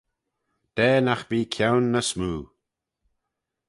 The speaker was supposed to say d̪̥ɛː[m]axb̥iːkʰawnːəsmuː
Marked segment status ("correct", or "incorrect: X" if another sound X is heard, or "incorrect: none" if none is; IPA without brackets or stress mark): incorrect: n